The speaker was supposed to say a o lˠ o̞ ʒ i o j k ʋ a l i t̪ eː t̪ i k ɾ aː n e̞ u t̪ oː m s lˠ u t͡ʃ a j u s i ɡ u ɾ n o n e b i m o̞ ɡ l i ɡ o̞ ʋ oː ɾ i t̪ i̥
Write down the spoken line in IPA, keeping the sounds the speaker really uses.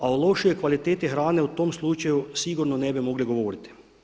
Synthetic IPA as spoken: a o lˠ o̞ ʃ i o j k ʋ a l i t̪ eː t̪ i x ɾ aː n e̞ u t̪ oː m s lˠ u t͡ʃ a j u s i ɡ u ɾ n o n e b i m o̞ ɡ l i ɡ o̞ ʋ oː ɾ i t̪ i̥